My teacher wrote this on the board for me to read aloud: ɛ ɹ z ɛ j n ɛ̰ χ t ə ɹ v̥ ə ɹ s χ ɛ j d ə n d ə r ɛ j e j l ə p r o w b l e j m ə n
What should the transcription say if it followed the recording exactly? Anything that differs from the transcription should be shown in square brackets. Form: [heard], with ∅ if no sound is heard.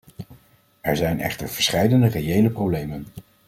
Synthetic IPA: ɛ ɹ z ɛ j n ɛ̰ χ t ə ɹ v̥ ə ɹ s χ ɛ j d ə n d ə r [e] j e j l ə p r o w b l e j m ə n